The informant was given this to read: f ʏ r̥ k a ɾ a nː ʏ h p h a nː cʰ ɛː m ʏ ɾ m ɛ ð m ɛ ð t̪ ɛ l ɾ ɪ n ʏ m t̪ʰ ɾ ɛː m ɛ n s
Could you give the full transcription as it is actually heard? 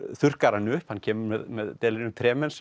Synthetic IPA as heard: θ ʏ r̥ k a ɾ a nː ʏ h p h a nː cʰ ɛː m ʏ ɾ m ɛ ð m ɛ ð t̪ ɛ l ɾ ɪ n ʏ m t̪ʰ ɾ ɛː m ɛ n s